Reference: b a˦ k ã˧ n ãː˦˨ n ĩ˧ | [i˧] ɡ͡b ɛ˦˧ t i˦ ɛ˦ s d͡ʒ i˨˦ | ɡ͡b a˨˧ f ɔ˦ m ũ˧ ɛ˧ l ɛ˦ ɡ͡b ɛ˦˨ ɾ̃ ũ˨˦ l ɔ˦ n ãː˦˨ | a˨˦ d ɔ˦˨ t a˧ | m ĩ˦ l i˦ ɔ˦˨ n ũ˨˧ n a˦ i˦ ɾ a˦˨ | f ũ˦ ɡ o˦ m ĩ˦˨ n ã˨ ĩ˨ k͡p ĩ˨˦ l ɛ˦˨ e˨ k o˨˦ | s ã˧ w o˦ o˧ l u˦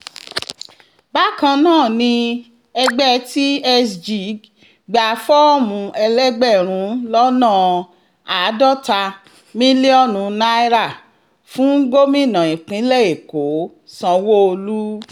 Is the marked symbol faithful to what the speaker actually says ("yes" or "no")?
no